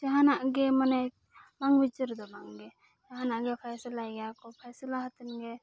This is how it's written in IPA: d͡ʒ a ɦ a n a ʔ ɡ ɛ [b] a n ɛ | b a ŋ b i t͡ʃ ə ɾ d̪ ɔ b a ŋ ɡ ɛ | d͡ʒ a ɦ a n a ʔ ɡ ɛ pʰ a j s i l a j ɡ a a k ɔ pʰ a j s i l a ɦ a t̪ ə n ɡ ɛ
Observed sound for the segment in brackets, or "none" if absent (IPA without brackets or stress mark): m